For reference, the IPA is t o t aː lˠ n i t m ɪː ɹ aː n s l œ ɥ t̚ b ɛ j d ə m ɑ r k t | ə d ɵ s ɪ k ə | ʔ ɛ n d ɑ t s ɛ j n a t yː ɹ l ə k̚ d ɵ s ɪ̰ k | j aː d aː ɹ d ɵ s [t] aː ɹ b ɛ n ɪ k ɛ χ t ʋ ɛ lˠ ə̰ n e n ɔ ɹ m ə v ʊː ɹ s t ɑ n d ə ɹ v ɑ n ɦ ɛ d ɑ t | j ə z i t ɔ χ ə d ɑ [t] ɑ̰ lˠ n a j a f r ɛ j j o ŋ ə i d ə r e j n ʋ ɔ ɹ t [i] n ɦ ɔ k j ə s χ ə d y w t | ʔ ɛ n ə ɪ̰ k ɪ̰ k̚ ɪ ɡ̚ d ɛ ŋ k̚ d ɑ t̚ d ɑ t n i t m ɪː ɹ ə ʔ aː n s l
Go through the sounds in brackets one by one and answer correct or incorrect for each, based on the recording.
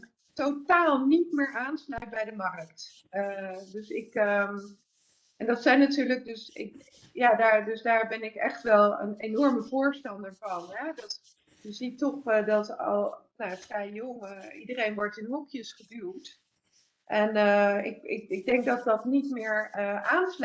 incorrect: d, correct, incorrect: ɪ

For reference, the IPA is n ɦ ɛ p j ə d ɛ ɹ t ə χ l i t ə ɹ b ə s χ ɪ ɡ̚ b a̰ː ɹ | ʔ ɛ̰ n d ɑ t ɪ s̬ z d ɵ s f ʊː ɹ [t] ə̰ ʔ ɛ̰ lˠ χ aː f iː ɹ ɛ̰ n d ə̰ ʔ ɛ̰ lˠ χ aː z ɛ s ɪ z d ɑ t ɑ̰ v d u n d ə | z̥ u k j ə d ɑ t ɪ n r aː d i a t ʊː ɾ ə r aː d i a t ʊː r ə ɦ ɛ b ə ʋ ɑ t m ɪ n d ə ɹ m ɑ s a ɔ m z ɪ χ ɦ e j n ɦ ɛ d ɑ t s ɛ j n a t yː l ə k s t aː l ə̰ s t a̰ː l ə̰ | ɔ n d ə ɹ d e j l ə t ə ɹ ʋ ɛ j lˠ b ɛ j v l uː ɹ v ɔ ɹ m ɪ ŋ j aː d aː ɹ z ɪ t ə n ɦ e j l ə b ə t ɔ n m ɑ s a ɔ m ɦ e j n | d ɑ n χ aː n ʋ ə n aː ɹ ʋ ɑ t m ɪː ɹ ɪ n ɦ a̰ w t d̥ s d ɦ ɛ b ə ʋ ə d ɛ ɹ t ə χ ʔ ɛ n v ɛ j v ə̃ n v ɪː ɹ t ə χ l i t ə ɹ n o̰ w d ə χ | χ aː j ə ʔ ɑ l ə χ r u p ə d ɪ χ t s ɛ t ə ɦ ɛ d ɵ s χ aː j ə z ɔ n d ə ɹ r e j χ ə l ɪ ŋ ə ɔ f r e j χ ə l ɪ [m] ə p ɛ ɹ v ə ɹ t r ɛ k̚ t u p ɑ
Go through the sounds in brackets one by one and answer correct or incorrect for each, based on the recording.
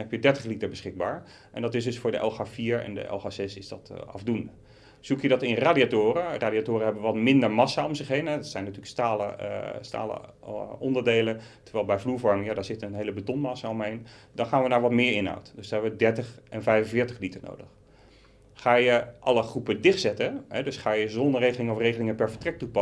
incorrect: d, incorrect: ŋ

